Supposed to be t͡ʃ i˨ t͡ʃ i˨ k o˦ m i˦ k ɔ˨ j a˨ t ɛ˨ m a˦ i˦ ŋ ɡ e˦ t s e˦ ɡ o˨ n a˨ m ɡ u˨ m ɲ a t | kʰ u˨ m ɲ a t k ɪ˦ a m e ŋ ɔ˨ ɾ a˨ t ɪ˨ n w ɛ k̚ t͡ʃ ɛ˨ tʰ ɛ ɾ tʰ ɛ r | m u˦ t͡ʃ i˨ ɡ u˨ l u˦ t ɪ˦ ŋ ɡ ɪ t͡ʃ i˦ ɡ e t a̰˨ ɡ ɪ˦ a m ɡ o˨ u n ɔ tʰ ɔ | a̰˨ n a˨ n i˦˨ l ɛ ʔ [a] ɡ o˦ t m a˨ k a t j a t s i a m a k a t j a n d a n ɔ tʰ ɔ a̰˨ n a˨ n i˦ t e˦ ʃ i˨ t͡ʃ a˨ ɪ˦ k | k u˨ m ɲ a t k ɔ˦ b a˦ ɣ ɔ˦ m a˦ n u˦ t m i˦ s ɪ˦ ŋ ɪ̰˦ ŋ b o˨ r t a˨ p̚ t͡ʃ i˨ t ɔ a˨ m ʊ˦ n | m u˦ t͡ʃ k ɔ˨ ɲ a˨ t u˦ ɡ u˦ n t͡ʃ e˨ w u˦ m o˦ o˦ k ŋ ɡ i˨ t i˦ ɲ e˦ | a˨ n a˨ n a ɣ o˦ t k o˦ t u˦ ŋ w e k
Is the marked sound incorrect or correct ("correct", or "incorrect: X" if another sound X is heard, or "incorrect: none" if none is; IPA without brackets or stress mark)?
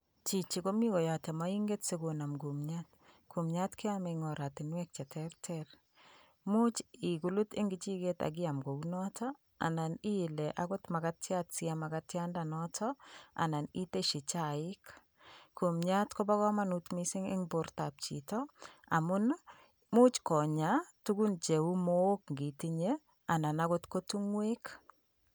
correct